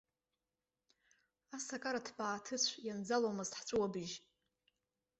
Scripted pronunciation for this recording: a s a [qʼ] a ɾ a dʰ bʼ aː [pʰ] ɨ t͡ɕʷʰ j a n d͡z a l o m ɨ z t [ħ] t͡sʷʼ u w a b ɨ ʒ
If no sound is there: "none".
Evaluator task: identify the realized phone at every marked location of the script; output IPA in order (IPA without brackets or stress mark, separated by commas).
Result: kʼ, tʰ, ħ